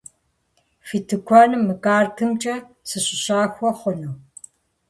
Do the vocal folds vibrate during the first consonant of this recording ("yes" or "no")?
no